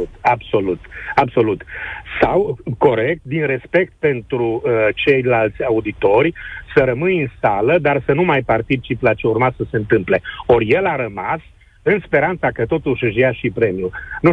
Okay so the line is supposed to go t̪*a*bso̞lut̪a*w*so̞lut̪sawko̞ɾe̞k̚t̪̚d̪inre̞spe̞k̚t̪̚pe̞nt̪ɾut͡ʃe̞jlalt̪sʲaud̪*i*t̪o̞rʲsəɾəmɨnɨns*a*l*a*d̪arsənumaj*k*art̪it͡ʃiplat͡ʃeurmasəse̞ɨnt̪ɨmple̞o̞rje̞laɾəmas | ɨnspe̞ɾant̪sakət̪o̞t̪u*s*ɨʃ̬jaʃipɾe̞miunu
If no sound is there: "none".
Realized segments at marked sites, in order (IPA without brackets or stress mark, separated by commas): a, b, i, a, ə, p, ʃ